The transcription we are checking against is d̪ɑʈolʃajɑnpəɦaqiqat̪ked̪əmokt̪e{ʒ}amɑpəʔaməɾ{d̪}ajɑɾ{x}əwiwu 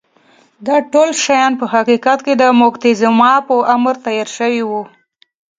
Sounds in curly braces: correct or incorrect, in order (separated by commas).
incorrect, incorrect, incorrect